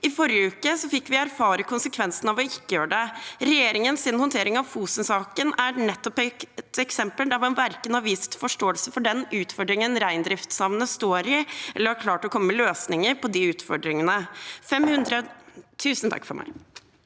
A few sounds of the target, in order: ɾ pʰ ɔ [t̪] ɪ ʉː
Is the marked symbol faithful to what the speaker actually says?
no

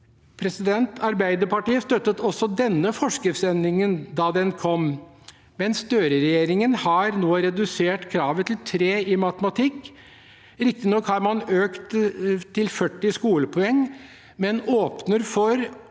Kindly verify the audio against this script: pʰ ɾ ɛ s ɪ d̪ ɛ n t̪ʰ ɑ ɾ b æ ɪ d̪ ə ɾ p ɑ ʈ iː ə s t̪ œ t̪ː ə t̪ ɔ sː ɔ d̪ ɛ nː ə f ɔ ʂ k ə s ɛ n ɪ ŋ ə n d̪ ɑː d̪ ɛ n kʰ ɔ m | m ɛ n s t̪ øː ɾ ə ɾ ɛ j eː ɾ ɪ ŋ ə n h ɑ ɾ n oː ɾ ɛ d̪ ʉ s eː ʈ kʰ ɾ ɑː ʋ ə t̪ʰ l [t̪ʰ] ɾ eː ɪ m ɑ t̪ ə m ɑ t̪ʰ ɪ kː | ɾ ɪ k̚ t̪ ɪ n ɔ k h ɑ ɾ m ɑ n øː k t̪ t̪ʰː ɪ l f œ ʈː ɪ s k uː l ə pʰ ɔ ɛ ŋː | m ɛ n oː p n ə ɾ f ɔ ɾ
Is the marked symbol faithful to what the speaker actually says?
yes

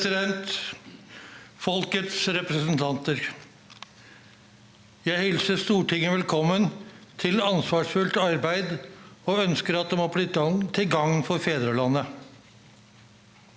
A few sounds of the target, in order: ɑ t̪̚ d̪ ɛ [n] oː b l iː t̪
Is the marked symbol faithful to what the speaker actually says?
no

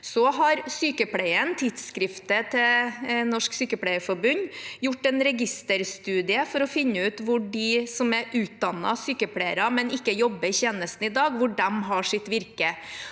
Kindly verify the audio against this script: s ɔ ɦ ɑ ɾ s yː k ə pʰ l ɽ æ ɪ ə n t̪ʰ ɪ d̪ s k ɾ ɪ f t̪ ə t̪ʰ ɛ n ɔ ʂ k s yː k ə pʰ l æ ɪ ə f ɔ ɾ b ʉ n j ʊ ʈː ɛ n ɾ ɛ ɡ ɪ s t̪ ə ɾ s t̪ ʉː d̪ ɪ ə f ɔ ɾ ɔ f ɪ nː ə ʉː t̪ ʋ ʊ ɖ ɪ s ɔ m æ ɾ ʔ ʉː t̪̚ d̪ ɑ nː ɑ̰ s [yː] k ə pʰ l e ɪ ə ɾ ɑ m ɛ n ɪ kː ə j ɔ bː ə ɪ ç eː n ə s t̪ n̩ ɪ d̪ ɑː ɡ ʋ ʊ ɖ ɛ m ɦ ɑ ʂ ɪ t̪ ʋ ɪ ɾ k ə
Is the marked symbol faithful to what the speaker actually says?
yes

